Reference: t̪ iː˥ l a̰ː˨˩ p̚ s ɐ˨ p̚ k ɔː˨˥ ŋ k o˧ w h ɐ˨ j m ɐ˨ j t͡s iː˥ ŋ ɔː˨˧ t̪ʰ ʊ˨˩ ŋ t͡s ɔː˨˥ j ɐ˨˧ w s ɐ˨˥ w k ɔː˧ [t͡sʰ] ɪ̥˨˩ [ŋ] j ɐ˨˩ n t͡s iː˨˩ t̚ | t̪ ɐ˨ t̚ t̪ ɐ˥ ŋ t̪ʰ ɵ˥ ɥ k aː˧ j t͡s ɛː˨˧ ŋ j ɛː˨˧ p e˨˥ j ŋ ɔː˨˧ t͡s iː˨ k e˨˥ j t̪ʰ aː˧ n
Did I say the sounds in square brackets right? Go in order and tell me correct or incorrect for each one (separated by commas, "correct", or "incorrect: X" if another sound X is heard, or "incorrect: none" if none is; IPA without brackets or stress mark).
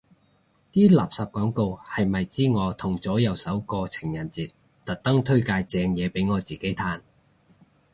correct, correct